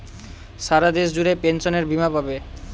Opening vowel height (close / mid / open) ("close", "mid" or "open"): open